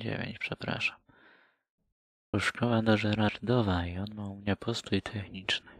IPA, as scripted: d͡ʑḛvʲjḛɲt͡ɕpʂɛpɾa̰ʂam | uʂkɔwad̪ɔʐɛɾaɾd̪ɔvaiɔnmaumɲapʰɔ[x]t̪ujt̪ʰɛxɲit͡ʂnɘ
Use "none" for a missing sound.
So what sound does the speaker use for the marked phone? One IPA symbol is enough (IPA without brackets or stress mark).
s